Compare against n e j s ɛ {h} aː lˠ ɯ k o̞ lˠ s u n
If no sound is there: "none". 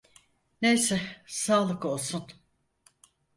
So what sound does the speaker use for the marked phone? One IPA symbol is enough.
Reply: s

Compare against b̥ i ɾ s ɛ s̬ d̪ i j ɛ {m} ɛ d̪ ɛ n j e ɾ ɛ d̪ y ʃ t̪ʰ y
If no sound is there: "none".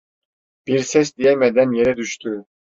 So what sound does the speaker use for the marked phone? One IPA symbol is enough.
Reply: m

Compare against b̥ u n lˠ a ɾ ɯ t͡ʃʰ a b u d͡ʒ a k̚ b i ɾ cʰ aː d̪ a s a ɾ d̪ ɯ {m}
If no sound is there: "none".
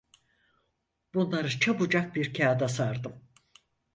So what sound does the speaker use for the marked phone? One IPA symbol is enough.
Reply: m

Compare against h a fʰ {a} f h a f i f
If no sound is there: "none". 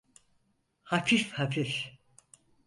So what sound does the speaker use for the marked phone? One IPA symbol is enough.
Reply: i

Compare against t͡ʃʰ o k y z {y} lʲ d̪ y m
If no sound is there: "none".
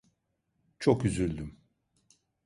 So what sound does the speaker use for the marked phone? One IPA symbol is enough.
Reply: y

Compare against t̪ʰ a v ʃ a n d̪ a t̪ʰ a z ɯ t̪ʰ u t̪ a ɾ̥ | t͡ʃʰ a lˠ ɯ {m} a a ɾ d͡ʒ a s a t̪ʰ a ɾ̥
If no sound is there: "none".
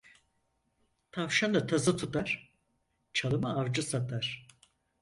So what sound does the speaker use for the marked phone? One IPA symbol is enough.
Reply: m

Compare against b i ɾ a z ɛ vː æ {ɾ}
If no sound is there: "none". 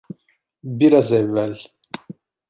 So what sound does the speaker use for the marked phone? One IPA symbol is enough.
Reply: l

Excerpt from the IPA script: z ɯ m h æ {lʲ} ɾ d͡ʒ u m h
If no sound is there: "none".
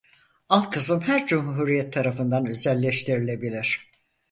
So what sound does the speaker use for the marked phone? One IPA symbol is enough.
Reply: none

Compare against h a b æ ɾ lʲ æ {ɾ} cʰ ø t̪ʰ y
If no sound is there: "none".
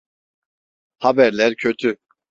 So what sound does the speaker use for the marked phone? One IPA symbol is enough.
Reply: ɾ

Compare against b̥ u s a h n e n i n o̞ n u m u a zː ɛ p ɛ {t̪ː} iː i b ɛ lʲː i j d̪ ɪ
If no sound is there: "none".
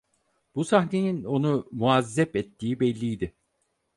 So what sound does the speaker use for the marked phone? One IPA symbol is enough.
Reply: t̪ː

